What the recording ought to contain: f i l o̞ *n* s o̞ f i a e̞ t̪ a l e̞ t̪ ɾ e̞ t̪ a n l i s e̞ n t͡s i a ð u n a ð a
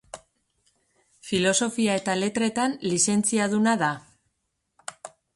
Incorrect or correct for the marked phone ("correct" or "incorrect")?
incorrect